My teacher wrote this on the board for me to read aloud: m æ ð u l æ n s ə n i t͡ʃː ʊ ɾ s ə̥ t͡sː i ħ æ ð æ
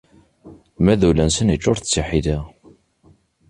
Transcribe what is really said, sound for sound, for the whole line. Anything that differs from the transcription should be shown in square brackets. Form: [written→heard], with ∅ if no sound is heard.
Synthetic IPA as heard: m æ ð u l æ n s ə n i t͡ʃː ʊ ɾ [s→θ] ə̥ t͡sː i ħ [æ→i] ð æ